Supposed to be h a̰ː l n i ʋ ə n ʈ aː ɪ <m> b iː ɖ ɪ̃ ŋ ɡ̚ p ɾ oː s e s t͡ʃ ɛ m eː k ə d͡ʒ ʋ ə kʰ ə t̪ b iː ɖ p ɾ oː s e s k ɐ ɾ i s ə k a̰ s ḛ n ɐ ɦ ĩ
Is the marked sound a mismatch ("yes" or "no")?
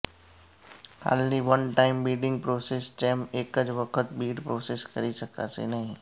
no